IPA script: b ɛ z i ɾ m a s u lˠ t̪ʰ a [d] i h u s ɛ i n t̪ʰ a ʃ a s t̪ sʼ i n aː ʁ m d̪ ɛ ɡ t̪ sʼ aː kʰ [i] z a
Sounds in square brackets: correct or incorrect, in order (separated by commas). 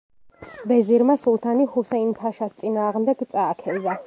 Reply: incorrect, incorrect